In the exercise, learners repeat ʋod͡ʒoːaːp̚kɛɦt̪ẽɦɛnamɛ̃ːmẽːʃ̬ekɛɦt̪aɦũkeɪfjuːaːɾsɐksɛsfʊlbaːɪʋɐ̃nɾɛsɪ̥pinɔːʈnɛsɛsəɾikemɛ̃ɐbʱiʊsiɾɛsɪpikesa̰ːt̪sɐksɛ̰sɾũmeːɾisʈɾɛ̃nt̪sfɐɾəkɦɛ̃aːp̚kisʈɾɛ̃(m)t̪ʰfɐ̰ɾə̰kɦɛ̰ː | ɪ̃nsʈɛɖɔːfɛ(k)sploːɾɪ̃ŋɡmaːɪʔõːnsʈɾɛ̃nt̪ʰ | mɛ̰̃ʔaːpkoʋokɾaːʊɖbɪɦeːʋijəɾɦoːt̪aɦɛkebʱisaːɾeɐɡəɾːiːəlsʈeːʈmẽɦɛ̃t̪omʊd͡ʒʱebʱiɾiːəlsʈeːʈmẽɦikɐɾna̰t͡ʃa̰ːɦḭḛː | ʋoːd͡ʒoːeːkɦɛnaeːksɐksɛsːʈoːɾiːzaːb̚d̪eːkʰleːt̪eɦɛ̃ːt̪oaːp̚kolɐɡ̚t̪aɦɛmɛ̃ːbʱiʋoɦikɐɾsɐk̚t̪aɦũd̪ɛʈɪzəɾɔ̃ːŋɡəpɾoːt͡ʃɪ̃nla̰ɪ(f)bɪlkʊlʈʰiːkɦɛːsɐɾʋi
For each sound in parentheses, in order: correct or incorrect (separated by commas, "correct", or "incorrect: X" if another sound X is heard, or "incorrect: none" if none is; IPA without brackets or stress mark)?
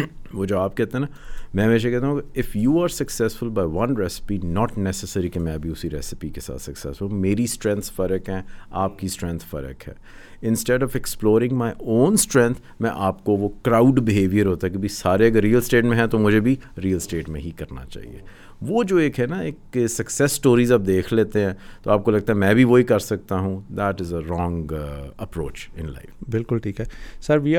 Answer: incorrect: n, correct, correct